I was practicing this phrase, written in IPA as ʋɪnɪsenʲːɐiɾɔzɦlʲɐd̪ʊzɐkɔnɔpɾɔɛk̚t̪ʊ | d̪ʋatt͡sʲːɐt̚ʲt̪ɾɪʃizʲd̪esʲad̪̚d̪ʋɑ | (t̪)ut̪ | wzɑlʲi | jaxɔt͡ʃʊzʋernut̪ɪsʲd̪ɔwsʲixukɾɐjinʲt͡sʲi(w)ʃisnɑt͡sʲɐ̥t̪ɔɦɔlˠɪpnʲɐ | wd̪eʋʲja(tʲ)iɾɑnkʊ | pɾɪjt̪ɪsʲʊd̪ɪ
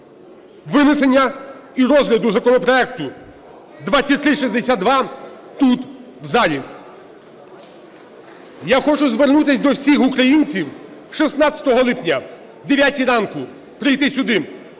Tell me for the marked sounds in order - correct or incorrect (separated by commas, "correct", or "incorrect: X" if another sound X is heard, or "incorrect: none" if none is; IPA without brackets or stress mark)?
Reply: correct, correct, correct